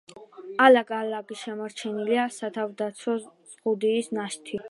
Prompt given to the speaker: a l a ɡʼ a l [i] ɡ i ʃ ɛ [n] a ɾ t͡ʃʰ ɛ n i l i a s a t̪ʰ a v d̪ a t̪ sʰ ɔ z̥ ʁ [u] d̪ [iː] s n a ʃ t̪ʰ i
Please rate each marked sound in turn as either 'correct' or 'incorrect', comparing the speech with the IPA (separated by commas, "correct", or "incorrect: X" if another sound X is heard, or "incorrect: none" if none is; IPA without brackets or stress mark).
incorrect: a, incorrect: m, correct, correct